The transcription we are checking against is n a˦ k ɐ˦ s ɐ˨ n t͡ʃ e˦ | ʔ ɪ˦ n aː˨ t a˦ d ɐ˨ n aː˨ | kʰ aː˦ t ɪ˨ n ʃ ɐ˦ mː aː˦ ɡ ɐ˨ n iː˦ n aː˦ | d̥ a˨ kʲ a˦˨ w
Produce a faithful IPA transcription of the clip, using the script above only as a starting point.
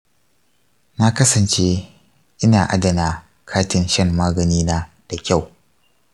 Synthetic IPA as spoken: n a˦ k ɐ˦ s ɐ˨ n t͡ʃ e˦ | ʔ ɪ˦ n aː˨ ʔ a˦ d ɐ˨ n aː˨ | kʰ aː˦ t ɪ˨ n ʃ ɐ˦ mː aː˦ ɡ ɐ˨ n iː˦ n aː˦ | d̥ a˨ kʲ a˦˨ w